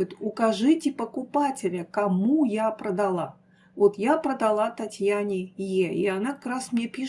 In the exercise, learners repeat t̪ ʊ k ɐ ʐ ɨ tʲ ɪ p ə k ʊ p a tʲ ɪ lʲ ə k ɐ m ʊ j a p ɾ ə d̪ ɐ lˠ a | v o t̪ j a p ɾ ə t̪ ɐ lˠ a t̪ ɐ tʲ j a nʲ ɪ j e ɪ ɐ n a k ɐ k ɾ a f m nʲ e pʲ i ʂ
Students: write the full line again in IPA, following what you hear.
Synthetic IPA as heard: t̪ ʊ k ɐ ʐ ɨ tʲ ɪ p ə k ʊ p a tʲ ɪ lʲ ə k ɐ m u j a p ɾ ə d̪ ɐ lˠ a | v o t̪ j a p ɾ ə d̪ ɐ lˠ a t̪ ɐ tʲ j a nʲ ɪ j e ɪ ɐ n a k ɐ k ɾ a s m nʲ e pʲ i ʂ